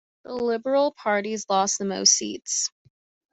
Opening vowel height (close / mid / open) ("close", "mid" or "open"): mid